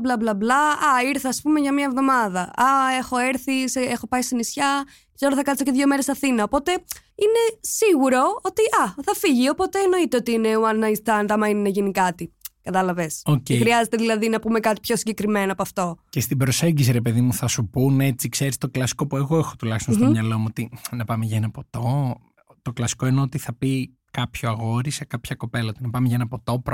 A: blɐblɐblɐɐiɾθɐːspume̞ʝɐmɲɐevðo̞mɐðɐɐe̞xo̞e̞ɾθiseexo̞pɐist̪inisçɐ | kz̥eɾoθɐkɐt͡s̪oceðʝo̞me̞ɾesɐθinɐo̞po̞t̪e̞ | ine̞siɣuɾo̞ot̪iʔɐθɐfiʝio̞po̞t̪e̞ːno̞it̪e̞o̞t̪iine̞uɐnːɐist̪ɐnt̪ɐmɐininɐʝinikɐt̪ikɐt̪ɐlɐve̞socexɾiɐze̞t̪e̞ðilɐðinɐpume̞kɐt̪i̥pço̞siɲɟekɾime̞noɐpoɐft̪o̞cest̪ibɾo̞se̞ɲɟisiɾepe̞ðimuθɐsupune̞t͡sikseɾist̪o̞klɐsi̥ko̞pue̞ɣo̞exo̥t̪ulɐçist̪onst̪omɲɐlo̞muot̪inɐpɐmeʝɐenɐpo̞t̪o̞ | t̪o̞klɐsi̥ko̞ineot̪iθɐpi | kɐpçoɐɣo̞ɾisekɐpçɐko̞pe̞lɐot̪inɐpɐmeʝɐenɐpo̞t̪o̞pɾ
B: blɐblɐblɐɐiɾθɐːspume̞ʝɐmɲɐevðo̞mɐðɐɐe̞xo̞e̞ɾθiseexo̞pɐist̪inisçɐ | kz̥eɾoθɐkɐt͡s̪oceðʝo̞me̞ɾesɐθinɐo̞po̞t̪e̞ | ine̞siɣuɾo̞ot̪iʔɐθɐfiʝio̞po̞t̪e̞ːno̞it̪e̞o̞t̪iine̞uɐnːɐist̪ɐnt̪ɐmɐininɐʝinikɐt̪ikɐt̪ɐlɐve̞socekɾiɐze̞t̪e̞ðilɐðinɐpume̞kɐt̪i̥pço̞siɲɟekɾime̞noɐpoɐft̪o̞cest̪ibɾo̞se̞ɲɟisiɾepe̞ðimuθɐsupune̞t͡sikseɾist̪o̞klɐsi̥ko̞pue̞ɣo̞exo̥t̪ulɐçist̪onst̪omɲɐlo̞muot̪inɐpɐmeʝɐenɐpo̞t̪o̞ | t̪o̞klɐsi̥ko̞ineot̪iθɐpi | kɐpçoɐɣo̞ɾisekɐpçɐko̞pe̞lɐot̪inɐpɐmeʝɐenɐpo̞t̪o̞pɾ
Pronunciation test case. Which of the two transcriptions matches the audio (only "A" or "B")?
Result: A